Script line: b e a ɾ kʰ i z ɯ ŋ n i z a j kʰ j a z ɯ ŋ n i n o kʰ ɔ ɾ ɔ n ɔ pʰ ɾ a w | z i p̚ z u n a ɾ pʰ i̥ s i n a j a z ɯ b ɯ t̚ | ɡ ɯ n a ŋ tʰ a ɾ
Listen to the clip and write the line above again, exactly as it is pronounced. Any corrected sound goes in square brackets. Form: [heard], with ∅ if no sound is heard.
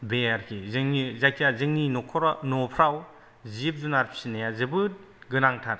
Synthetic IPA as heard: b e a ɾ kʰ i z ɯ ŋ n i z a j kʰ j a z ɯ ŋ n i n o kʰ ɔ ɾ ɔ n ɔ pʰ ɾ a w | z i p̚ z u n a ɾ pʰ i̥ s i n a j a z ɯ b ɯ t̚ | ɡ ɯ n a ŋ tʰ a ɾ